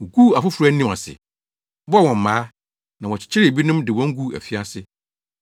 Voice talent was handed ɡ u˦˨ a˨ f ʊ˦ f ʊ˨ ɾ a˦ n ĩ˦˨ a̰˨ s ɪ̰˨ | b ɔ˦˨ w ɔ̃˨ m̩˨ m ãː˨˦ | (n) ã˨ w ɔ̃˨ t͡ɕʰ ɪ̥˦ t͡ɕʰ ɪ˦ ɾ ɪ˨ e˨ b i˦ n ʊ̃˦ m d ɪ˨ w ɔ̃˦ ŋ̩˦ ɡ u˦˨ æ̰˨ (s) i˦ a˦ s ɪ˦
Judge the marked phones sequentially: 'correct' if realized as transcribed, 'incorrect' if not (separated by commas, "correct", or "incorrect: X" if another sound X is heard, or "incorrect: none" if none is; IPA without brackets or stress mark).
correct, incorrect: f